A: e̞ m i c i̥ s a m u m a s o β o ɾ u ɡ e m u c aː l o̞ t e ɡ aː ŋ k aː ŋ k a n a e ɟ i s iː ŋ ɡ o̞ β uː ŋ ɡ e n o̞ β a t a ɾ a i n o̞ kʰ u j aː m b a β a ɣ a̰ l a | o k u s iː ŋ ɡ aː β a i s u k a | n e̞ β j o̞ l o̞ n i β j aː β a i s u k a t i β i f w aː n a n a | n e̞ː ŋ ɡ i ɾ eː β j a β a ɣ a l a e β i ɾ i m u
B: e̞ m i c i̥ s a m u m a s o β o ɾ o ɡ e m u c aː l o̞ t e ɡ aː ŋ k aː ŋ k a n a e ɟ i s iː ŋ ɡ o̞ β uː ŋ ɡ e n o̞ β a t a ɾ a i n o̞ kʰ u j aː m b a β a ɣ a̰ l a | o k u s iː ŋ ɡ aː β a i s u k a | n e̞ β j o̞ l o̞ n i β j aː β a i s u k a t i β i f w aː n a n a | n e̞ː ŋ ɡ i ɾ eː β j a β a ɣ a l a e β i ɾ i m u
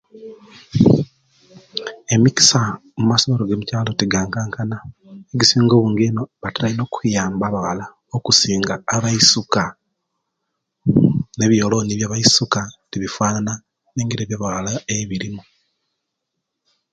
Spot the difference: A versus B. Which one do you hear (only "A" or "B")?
B